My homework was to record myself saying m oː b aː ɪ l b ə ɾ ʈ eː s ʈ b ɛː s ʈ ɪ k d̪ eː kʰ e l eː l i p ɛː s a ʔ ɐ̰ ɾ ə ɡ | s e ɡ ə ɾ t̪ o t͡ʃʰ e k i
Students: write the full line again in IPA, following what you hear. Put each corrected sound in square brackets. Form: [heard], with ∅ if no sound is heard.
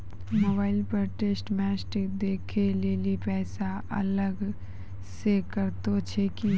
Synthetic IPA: m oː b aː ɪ l [p] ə ɾ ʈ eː s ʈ [m] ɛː s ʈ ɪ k d̪ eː kʰ e l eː l i p ɛː s a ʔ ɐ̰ [l] ə ɡ | s e [k] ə ɾ t̪ o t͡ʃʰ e k i